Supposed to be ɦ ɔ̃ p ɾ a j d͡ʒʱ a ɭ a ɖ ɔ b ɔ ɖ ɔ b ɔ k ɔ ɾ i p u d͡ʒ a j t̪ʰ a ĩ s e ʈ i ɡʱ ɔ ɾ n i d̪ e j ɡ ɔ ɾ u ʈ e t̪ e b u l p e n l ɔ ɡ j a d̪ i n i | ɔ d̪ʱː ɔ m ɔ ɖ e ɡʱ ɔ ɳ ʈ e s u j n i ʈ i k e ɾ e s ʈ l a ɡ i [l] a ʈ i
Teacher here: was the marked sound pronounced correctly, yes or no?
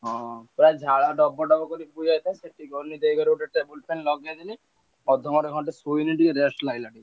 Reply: yes